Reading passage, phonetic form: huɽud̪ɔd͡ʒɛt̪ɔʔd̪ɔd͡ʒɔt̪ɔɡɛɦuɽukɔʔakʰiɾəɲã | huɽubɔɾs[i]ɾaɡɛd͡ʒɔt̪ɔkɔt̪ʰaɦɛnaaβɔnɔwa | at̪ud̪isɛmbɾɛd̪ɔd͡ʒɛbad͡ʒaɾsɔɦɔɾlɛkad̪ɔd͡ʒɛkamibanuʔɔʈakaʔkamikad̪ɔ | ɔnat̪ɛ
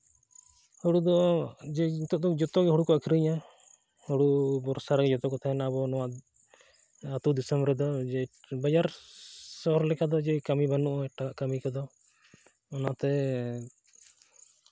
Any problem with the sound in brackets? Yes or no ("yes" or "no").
yes